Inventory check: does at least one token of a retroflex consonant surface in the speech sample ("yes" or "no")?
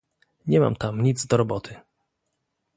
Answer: no